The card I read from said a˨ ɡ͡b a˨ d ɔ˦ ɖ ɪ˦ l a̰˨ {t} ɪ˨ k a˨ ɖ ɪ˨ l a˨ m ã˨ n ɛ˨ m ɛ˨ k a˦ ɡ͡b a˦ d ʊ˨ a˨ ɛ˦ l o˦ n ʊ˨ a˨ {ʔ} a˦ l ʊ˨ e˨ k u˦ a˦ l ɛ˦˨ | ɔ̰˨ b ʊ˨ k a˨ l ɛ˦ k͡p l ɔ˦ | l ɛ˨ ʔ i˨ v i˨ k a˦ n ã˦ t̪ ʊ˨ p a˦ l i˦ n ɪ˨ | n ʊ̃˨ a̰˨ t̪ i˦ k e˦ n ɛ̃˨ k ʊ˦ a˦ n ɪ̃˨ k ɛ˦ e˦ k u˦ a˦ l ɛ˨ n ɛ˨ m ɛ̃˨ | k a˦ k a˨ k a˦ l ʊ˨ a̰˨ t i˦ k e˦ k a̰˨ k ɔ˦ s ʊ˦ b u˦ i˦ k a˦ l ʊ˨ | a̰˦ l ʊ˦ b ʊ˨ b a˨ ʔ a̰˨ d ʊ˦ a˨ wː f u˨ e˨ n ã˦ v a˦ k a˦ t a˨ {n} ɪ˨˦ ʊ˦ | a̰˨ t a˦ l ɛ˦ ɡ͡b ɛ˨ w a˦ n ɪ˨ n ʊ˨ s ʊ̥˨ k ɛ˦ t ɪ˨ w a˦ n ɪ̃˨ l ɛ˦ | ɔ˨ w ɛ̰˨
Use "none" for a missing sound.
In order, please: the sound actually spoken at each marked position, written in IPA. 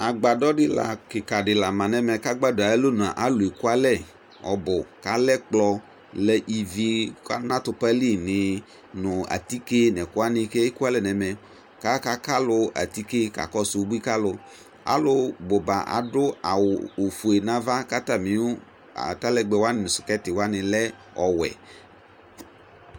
k, ʔ, m

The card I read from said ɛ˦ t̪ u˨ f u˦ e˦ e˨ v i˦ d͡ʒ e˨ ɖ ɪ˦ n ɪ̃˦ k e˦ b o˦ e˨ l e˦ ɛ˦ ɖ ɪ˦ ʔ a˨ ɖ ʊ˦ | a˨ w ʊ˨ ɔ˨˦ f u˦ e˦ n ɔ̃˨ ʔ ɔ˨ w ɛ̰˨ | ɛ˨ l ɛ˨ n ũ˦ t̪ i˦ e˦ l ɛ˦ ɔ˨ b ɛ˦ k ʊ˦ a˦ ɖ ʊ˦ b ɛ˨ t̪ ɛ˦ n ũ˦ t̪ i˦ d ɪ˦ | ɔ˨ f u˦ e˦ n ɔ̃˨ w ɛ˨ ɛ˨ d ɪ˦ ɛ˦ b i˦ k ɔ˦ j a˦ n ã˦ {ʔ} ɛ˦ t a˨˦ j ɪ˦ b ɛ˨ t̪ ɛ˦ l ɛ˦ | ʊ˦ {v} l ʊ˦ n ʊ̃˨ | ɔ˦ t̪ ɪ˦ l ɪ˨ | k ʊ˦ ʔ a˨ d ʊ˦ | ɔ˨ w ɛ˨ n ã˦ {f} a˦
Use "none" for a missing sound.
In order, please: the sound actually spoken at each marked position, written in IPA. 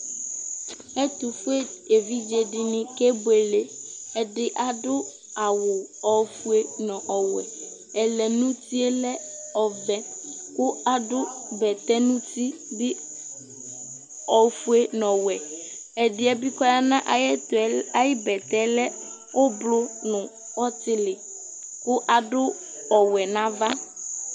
ʔ, b, v

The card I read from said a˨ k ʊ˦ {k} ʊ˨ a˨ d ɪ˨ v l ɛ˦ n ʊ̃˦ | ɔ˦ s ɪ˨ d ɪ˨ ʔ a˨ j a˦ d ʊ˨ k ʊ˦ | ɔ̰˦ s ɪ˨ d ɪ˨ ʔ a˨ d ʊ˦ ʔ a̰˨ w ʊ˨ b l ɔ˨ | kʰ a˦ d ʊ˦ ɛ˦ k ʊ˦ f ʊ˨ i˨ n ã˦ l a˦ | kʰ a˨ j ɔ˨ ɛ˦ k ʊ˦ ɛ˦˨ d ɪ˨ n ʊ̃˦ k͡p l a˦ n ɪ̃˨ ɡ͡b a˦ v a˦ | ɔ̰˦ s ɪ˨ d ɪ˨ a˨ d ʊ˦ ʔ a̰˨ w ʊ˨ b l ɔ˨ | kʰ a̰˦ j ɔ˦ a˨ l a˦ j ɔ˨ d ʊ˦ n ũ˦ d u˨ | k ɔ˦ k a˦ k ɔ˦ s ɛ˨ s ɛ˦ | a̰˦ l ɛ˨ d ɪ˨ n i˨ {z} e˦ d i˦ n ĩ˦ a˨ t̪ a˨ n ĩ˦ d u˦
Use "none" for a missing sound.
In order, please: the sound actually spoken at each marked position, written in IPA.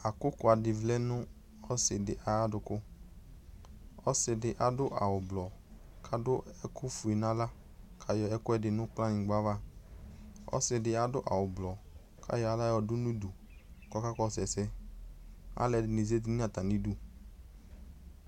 k, z

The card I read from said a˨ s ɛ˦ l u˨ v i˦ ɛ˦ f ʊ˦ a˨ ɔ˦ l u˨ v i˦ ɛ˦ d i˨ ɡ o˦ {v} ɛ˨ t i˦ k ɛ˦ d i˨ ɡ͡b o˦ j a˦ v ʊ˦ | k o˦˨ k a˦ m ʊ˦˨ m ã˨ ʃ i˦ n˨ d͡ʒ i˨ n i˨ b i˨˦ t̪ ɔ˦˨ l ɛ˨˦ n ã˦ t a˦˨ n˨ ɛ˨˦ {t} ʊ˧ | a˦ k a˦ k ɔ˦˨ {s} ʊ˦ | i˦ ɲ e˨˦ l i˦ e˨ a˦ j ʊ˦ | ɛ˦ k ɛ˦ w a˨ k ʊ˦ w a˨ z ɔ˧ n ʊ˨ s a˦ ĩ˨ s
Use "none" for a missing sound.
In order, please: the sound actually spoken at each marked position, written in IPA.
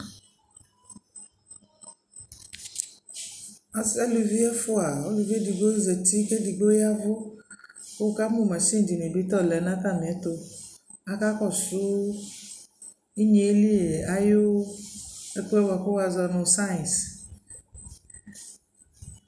z, t, s

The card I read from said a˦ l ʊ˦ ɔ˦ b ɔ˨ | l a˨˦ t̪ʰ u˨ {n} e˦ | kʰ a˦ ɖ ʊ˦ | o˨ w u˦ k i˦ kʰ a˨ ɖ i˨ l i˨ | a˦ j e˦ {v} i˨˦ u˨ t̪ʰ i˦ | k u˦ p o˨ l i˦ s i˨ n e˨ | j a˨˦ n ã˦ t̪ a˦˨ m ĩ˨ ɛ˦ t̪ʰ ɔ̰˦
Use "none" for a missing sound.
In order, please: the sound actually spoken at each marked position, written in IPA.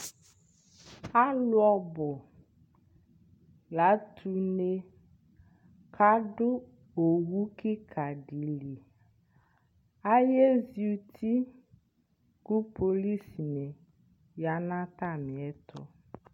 n, z

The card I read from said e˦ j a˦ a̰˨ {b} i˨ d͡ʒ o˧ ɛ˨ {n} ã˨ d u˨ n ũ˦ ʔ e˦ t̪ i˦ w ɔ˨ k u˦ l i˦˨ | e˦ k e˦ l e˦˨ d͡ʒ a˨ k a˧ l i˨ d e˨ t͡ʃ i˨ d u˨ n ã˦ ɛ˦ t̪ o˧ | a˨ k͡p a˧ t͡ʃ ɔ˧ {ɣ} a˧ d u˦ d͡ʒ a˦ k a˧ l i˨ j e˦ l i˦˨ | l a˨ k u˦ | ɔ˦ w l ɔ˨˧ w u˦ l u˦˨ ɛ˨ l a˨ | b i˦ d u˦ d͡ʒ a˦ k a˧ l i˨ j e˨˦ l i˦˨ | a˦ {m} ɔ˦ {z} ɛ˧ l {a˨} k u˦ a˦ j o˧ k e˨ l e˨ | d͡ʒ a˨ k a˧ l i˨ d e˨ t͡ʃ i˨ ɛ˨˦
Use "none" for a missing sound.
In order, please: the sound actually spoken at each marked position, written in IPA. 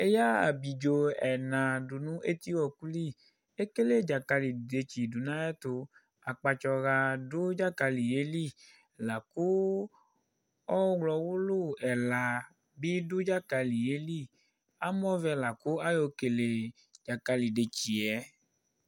b, n, ɣ, m, v, a˨

